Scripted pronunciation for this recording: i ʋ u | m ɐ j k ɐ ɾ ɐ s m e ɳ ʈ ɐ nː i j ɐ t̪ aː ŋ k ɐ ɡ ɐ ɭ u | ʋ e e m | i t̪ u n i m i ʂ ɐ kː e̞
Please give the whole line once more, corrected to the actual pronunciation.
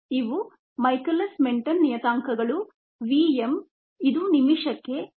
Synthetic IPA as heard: i ʋ u | m ɐ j k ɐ l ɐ s m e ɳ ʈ ɐ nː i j ɐ t̪ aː ŋ k ɐ ɡ ɐ ɭ u | ʋ i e m | i d̪ u n i m i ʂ ɐ kː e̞